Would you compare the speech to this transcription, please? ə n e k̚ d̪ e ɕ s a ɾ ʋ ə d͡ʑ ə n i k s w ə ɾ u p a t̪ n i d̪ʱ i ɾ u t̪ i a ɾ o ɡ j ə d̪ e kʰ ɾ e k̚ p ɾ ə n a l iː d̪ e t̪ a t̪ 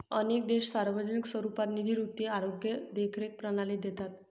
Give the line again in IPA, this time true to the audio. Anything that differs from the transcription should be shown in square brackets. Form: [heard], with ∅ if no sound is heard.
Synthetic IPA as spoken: ə n e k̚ d̪ e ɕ s a ɾ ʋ ə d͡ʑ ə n i k s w ə ɾ u p a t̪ n i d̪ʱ i ɾ u t̪ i a ɾ o ɡ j ə d̪ e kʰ ɾ e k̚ p ɾ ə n a l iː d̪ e t̪ a t̪